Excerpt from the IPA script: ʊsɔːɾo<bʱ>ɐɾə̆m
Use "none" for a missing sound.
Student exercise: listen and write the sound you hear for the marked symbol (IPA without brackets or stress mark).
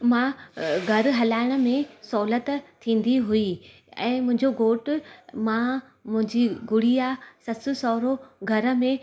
ɡʱ